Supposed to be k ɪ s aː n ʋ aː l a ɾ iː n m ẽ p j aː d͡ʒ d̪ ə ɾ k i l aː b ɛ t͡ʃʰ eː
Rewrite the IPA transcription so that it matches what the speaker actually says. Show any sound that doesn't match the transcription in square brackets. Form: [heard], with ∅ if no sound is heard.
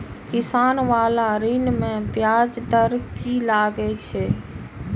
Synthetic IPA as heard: k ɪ s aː n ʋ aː l a ɾ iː n m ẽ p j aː d͡ʒ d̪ ə ɾ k i l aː [ɡ] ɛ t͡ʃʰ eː